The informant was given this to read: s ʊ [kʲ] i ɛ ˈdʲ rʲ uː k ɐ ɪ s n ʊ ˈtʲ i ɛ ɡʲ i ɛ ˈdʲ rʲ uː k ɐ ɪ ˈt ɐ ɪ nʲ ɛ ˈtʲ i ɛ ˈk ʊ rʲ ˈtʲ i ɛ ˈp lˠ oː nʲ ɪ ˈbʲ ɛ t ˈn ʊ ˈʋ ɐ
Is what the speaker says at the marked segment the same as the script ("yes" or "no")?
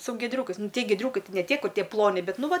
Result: no